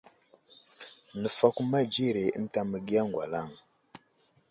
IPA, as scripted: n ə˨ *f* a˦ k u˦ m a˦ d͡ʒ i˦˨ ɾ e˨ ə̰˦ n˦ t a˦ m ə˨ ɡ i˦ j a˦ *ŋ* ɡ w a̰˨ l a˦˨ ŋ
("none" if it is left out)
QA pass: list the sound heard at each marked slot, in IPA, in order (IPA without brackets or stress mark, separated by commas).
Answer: f, ŋ